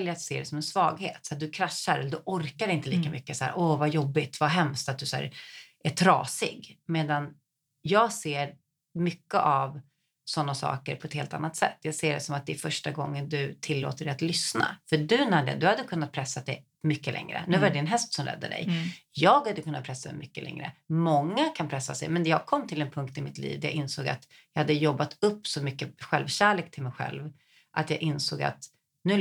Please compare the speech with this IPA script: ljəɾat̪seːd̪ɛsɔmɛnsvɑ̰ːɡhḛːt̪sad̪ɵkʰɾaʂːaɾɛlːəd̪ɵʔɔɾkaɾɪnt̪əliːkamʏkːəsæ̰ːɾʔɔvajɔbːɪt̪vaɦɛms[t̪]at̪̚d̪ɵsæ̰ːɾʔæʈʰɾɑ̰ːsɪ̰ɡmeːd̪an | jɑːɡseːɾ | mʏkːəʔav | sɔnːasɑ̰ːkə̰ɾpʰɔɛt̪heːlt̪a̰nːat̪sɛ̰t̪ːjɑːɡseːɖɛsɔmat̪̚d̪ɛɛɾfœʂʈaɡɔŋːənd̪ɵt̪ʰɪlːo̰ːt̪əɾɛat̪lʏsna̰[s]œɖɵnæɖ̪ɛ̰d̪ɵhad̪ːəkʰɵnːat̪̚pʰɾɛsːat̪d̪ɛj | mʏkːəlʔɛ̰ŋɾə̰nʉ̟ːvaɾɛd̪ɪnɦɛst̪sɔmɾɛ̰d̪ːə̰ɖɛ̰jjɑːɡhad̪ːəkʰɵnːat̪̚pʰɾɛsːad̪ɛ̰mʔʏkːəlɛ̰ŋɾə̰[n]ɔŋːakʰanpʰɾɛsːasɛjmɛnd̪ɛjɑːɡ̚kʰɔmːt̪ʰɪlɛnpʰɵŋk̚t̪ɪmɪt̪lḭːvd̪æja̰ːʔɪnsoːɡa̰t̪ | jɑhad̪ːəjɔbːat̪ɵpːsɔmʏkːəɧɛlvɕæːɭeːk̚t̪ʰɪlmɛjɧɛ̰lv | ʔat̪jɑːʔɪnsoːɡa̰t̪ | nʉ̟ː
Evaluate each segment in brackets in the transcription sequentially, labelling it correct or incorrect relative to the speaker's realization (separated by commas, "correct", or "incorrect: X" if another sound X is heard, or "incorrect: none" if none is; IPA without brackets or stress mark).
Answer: correct, incorrect: f, incorrect: m